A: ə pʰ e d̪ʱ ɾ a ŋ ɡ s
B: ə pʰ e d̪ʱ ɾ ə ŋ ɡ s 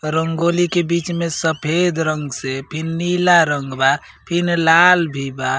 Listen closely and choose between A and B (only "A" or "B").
B